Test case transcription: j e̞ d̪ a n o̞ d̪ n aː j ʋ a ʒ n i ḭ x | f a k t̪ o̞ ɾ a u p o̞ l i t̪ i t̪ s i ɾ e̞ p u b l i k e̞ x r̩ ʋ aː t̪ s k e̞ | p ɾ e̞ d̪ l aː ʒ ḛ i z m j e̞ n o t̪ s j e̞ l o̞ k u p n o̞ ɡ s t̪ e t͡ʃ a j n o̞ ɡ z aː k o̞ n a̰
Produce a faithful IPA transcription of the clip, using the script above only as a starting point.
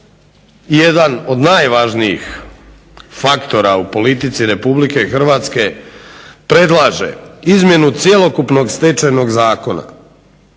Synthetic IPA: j e̞ d̪ a n o̞ d̪ n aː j ʋ a ʒ n i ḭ x | f a k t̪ o̞ ɾ a u p o̞ l i t̪ i t̪ s i ɾ e̞ p u b l i k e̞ x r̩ ʋ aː t̪ s k e̞ | p ɾ e̞ d̪ l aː ʒ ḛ i z m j e̞ n u t̪ s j e̞ l o̞ k u p n o̞ ɡ s t̪ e t͡ʃ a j n o̞ ɡ z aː k o̞ n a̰